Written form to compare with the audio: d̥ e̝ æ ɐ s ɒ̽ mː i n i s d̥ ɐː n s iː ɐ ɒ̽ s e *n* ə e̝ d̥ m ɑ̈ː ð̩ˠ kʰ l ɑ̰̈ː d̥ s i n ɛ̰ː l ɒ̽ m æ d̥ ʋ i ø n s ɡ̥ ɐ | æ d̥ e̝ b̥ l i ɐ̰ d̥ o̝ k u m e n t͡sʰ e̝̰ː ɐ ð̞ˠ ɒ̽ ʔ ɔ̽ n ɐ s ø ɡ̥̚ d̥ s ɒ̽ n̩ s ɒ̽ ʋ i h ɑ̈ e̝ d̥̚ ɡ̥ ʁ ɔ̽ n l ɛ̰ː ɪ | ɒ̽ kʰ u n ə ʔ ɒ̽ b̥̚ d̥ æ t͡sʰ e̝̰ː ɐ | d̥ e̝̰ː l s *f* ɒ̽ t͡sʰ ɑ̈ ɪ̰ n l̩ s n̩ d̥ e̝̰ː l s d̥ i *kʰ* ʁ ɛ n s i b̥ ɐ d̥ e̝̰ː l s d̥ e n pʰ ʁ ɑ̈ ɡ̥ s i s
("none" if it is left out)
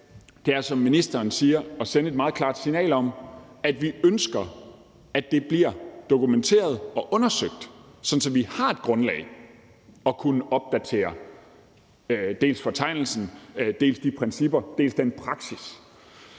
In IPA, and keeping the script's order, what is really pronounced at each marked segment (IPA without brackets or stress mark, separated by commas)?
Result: n, f, pʰ